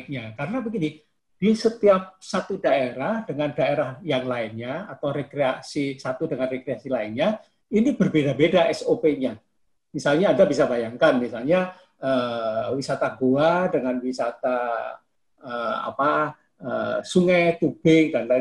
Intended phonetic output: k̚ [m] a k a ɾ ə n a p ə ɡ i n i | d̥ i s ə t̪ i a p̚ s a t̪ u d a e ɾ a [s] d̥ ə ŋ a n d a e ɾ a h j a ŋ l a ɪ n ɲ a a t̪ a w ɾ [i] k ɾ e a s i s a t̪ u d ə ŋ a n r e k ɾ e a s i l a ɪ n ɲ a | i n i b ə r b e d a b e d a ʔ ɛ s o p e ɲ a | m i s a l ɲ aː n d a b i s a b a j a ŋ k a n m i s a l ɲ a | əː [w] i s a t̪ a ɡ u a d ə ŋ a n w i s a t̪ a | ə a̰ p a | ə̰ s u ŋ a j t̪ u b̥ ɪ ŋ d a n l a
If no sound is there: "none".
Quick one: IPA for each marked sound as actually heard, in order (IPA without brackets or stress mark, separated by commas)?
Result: ɲ, h, e, w